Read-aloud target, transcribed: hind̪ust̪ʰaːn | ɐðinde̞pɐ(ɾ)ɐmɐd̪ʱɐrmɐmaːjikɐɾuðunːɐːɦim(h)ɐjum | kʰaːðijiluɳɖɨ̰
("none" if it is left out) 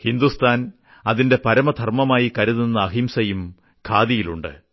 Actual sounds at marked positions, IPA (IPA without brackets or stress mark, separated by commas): ɾ, s